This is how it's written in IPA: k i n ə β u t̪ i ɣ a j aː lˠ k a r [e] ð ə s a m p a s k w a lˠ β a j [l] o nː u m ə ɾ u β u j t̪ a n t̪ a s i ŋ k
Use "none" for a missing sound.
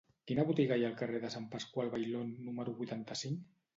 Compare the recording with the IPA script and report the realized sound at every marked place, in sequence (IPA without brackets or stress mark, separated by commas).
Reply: e, l